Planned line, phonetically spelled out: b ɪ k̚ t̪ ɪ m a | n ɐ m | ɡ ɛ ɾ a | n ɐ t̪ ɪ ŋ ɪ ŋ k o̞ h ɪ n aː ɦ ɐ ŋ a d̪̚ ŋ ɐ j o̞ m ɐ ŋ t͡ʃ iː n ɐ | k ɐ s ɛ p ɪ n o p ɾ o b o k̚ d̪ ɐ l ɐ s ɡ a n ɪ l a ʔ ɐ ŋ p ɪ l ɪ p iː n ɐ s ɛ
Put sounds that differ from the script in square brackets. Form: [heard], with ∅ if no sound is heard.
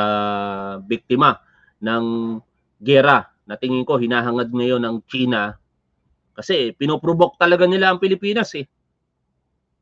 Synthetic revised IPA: b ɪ k̚ t̪ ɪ m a | n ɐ [ŋ] | ɡ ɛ ɾ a | n ɐ t̪ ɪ ŋ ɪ ŋ k o̞ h ɪ n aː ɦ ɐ ŋ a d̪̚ ŋ ɐ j o̞ [n] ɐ ŋ t͡ʃ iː n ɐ | k ɐ s ɛ p ɪ n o p ɾ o b o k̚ [t̪] ɐ l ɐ [∅] ɡ a n ɪ l a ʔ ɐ ŋ p ɪ l ɪ p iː n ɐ s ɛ